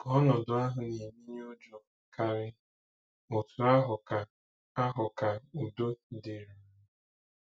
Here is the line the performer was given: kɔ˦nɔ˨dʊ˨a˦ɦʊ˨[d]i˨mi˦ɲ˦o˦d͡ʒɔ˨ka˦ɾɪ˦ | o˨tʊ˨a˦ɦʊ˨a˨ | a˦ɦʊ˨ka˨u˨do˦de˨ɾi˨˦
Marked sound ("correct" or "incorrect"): incorrect